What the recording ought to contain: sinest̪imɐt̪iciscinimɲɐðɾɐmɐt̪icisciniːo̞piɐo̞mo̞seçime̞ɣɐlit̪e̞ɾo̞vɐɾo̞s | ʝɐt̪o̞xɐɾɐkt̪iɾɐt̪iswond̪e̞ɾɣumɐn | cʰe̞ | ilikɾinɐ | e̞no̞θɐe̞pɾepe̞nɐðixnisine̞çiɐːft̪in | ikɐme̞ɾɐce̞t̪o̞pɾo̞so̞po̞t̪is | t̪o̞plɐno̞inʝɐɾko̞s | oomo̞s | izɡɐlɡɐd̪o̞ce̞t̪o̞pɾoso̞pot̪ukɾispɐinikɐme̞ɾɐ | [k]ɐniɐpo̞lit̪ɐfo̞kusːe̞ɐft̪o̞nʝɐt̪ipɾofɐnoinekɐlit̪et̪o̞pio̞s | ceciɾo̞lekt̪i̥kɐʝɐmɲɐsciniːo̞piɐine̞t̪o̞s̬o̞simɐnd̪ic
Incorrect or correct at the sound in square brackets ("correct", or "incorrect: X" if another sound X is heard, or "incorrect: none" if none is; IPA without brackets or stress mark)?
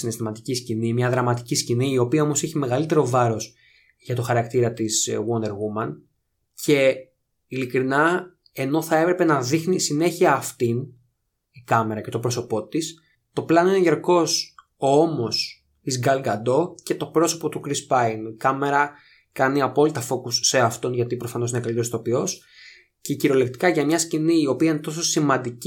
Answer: correct